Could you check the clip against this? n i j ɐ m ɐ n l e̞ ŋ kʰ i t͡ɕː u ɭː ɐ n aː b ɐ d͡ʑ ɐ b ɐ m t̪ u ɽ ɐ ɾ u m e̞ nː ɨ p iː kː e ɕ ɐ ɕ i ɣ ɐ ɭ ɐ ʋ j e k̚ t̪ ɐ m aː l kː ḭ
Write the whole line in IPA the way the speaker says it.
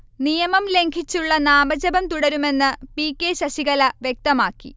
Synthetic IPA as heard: n i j ɐ m ɐ m l e̞ ŋ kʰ i t͡ɕː u ɭː ɐ n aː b ɐ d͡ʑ ɐ b ɐ m t̪ u ɽ ɐ ɾ u m e̞ nː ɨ p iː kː e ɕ ɐ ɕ i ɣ ɐ l ɐ ʋ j e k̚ t̪ ɐ m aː kː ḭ